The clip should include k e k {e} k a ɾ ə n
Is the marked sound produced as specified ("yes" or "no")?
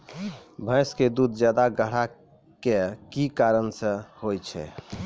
no